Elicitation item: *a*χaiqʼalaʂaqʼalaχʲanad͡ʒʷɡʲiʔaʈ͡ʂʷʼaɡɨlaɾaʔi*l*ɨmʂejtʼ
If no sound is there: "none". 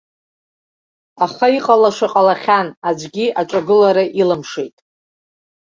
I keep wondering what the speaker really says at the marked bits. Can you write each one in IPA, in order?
a, l

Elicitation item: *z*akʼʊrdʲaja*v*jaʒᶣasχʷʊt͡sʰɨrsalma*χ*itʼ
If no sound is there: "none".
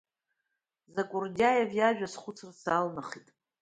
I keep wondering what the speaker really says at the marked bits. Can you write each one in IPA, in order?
z, v, χ

